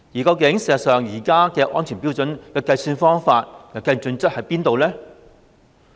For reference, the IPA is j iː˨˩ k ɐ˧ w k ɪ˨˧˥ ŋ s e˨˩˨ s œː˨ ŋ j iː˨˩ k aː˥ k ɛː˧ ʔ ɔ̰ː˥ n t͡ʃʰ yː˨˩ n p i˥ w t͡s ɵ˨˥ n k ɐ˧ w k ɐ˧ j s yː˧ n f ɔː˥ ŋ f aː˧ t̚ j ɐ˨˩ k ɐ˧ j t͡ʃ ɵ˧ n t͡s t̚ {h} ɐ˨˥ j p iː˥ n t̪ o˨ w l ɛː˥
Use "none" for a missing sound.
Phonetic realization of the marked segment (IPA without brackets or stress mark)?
h